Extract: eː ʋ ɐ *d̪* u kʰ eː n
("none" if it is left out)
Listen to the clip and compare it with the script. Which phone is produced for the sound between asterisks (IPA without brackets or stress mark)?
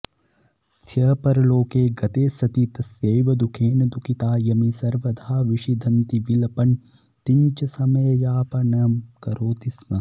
d̪